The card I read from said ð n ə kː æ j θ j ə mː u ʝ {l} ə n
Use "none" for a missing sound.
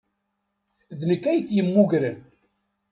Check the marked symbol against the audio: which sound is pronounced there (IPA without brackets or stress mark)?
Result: ɾ